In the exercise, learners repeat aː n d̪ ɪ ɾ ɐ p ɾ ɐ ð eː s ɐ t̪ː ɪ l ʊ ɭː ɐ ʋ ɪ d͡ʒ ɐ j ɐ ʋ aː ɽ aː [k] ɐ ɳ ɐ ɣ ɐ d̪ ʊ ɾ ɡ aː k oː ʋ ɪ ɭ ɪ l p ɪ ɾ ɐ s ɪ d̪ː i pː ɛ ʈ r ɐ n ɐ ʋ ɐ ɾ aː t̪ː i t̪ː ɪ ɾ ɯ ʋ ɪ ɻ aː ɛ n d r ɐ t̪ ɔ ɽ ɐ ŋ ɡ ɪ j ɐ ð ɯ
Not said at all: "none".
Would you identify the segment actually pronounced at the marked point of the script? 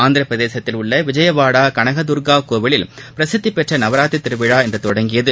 k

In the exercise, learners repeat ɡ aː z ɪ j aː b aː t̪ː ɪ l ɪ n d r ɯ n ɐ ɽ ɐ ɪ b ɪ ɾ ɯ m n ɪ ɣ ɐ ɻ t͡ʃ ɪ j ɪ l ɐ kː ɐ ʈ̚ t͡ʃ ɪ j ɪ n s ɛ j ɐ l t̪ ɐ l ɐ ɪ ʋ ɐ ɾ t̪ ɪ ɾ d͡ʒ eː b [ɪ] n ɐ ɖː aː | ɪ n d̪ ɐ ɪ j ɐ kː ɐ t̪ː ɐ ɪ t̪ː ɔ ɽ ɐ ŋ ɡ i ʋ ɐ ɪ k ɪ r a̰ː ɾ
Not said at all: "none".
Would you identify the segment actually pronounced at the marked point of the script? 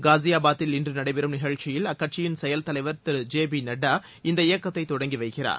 i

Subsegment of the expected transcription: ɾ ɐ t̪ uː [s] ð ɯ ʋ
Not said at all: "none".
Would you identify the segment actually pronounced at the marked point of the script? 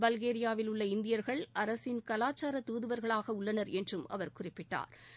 none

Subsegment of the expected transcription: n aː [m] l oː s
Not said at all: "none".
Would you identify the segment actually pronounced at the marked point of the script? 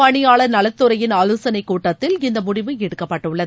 none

